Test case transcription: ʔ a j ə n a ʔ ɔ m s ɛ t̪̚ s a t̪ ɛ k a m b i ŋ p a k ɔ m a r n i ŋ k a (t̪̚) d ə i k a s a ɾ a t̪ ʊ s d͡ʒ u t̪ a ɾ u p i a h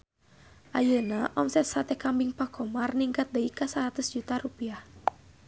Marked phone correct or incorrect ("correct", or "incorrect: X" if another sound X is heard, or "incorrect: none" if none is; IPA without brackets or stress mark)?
correct